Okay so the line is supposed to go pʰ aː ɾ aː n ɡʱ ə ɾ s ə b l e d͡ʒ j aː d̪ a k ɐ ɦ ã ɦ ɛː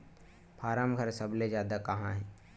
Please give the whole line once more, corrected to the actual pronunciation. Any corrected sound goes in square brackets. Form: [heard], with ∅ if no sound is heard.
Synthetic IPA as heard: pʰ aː ɾ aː [m] ɡʱ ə ɾ s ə b l e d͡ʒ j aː d̪ a k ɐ ɦ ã ɦ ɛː